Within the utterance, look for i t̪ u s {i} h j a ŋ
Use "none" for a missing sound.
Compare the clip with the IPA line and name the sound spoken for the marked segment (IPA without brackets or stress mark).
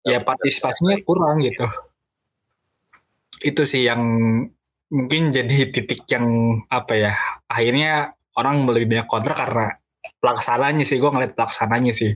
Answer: ɪ